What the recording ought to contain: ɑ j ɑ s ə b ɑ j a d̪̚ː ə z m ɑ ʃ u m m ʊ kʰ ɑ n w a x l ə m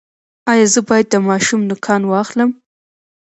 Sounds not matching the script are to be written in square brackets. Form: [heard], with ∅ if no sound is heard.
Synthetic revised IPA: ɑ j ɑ [z] ə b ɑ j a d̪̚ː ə [∅] m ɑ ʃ u m [n] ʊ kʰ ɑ n w [ɑ] x l ə m